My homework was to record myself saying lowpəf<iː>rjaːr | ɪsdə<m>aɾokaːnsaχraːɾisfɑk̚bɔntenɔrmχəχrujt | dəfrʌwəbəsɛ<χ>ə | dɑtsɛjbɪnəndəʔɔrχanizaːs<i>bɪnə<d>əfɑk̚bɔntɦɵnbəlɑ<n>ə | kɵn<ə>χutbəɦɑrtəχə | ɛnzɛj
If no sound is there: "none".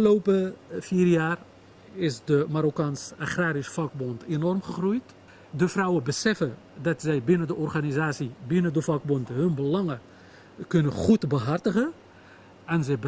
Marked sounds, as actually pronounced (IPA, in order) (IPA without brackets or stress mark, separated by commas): iː, m, f, i, d, ŋ, ə